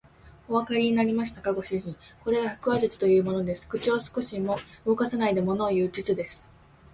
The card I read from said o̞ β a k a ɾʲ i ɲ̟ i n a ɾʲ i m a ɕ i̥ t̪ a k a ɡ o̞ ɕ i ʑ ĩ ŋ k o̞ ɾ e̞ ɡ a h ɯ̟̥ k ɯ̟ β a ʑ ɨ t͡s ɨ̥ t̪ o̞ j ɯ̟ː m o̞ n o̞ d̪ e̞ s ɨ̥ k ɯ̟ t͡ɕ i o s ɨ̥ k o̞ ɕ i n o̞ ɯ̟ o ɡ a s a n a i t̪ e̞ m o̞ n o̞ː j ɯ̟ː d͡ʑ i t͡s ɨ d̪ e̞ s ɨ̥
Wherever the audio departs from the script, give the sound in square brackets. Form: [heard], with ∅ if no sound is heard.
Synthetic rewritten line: o̞ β a k a ɾʲ i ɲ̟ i n a ɾʲ i m a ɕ i̥ t̪ a k a ɡ o̞ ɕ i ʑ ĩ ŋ k o̞ ɾ e̞ ɡ a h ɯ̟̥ k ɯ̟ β a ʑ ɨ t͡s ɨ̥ t̪ o̞ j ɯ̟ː m o̞ n o̞ d̪ e̞ s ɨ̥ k ɯ̟ t͡ɕ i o s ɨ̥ k o̞ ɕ i [m] o̞ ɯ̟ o [k] a s a n a i [d̪] e̞ m o̞ n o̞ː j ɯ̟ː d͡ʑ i t͡s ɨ d̪ e̞ s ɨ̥